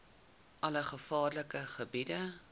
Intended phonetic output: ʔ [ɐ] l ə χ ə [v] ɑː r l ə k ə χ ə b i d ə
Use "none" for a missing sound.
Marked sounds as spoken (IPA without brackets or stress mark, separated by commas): ɐ, f